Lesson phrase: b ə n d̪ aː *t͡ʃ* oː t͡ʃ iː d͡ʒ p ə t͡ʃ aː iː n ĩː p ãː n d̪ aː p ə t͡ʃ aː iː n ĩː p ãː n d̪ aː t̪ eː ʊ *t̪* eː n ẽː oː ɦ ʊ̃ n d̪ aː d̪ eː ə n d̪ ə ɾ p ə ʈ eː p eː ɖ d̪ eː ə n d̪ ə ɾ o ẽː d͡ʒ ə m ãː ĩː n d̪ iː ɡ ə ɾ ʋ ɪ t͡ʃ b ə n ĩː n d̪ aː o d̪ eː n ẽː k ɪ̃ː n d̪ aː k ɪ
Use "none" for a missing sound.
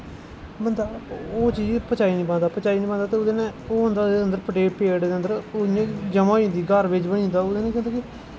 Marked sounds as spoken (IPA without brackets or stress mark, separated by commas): none, d̪